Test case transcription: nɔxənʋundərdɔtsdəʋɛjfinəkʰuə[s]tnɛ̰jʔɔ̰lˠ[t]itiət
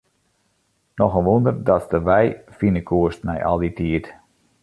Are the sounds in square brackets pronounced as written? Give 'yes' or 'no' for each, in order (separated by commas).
yes, no